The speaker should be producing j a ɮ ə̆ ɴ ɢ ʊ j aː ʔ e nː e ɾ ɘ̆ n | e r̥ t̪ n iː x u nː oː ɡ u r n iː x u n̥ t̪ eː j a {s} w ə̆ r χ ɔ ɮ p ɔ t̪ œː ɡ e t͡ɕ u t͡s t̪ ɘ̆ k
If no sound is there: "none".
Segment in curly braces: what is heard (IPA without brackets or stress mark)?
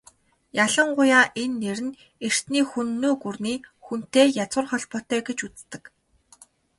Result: t͡s